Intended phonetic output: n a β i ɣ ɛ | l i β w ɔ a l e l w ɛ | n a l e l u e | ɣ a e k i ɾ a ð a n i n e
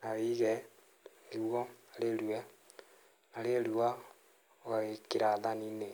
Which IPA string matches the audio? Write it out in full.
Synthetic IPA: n a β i ɣ ɛ | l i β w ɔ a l e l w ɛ | n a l e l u a | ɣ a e k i ɾ a ð a n i n e